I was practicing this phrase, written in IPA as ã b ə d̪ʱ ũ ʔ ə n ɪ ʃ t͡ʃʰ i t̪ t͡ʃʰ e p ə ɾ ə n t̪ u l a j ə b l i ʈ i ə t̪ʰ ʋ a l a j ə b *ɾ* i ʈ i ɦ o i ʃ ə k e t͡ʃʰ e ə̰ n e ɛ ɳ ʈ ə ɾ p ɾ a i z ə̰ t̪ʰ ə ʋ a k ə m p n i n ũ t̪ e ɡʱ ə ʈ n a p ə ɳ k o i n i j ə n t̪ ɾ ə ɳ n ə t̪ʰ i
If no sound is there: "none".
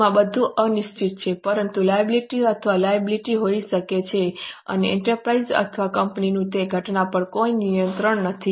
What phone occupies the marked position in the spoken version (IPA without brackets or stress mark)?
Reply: l